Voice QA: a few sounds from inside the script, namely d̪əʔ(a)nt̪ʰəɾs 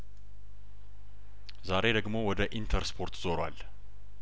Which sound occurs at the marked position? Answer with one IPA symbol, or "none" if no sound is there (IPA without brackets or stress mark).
i